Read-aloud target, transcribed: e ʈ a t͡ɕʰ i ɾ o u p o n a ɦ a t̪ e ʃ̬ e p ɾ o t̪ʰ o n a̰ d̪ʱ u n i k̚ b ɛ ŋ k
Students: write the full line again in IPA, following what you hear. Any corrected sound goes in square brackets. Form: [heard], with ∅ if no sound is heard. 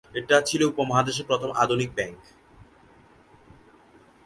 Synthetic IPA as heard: e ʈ a t͡ɕʰ i [l] o u p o [m] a ɦ a [d̪] e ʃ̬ e p ɾ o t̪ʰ o [m] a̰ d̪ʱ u n i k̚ b ɛ ŋ k